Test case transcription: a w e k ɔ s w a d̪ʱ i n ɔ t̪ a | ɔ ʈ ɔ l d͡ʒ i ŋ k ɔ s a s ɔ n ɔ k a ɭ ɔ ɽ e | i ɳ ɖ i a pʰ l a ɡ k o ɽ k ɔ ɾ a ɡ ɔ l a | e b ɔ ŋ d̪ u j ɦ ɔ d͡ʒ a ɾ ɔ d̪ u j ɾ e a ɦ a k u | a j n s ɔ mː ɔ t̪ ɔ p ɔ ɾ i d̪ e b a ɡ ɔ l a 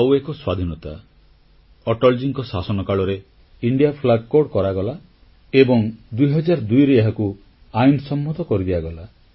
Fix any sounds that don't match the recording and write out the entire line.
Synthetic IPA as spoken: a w e k ɔ s w a d̪ʱ i n ɔ t̪ a | ɔ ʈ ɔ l d͡ʒ i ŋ k ɔ s a s ɔ n ɔ k a ɭ ɔ ɾ e | i ɳ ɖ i a pʰ l a ɡ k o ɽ k ɔ ɾ a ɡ ɔ l a | e b ɔ ŋ d̪ u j ɦ ɔ d͡ʒ a ɾ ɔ d̪ u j ɾ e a ɦ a k u | a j n s ɔ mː ɔ t̪ ɔ k ɔ ɾ i d̪ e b a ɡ ɔ l a